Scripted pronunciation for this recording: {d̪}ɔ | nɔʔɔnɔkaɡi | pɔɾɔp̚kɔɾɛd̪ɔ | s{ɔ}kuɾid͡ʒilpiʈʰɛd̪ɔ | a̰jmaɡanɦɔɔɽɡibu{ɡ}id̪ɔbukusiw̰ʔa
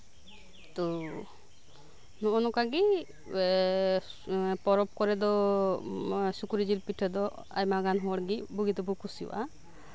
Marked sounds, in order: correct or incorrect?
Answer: incorrect, incorrect, correct

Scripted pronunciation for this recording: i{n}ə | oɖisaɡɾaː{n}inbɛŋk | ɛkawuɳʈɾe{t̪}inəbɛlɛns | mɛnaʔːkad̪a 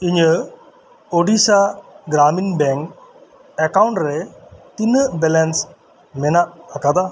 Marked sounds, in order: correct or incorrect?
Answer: incorrect, incorrect, correct

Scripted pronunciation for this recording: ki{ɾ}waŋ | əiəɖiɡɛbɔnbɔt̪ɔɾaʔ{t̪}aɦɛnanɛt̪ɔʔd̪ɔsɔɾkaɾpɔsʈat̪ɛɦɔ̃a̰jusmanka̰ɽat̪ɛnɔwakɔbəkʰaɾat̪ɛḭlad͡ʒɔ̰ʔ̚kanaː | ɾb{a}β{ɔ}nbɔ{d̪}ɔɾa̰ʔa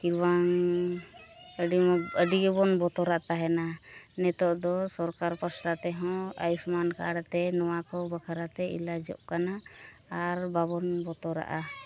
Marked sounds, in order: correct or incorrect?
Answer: correct, correct, correct, correct, incorrect

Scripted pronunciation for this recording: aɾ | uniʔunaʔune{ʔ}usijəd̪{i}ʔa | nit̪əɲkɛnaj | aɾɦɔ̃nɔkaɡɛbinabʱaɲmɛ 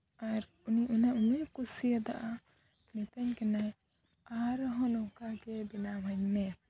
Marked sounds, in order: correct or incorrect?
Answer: incorrect, incorrect

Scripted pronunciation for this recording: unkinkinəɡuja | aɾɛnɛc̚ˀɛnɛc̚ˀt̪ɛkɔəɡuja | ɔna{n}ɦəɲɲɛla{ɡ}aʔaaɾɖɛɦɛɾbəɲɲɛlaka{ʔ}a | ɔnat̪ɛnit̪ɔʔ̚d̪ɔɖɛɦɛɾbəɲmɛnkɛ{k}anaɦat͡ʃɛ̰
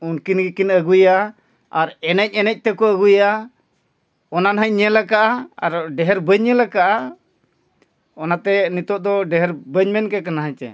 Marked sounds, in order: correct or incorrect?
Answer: correct, incorrect, correct, correct

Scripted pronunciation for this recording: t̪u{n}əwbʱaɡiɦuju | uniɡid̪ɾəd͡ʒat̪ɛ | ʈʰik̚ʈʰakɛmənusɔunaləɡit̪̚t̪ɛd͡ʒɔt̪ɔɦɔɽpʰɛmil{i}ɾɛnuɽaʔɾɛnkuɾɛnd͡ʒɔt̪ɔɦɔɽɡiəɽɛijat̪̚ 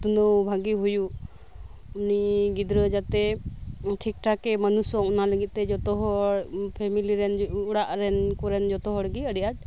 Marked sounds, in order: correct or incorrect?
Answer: correct, correct

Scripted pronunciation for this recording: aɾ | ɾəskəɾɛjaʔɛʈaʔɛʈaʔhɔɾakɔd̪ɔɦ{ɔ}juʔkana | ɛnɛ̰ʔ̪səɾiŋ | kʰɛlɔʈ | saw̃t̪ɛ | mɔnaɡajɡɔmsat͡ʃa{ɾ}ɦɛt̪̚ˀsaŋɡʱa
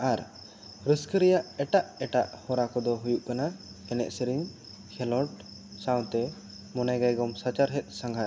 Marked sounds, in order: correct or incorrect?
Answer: incorrect, correct

